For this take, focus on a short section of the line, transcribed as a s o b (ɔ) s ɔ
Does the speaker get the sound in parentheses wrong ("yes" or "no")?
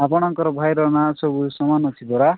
yes